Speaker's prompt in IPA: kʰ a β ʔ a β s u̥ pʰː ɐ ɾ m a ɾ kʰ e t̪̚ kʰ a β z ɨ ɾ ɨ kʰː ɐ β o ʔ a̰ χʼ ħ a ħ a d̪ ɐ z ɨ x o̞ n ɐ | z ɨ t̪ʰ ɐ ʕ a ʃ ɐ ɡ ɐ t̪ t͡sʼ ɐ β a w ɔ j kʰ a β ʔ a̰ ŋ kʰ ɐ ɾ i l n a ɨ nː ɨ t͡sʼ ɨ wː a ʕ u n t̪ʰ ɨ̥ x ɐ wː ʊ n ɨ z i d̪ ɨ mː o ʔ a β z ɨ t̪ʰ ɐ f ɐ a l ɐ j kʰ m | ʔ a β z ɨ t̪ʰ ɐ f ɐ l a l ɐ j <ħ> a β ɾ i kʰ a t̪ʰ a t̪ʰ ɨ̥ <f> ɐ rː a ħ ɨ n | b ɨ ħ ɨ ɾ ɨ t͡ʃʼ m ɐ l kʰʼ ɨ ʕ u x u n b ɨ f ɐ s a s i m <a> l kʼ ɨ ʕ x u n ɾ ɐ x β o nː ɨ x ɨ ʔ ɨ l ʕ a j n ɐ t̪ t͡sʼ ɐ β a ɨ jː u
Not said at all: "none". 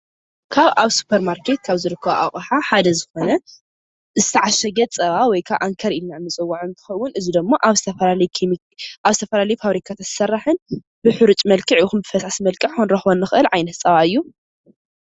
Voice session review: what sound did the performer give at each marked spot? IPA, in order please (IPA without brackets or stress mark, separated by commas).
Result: f, s, ɐ